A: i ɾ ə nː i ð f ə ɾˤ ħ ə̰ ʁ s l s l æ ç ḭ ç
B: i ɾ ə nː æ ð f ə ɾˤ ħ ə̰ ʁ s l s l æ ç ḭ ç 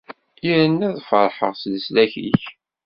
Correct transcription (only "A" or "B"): B